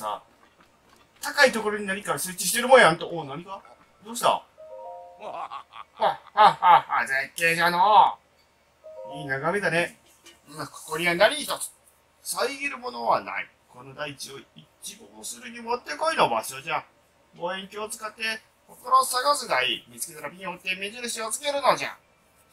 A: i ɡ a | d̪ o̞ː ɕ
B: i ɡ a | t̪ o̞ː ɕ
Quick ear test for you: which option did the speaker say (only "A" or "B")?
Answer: A